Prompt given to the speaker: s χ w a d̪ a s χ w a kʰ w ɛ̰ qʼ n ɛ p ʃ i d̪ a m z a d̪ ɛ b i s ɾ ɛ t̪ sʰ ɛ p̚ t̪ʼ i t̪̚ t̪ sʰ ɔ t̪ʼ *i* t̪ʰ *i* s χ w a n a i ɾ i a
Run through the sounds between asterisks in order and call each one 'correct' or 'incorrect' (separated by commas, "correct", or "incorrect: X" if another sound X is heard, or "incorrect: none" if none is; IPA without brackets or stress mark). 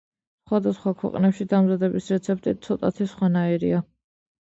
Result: incorrect: a, correct